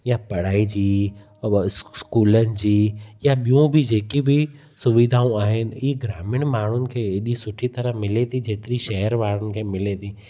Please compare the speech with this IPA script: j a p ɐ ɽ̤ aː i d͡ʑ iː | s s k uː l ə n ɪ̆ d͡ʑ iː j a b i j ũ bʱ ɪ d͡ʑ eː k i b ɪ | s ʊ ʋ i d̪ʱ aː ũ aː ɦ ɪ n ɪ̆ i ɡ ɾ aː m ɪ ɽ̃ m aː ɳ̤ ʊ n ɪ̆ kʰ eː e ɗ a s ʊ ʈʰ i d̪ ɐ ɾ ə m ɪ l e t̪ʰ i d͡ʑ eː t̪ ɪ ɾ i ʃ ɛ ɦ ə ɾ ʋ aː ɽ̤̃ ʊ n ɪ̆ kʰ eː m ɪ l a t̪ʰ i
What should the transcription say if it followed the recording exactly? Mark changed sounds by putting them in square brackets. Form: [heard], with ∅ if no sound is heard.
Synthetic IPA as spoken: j a p ɐ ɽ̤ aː i d͡ʑ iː | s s k uː l ə n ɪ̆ d͡ʑ iː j a [ɓ] i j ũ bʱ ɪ d͡ʑ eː k i b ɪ | s ʊ ʋ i d̪ʱ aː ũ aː ɦ ɪ n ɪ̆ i ɡ ɾ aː m ɪ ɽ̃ m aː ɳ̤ ʊ n ɪ̆ kʰ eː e ɗ [i] s ʊ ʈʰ i [t̪] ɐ ɾ ə m ɪ l e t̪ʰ i d͡ʑ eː t̪ ɪ ɾ i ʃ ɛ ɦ ə ɾ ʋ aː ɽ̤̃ ʊ n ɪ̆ kʰ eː m ɪ l [e] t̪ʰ i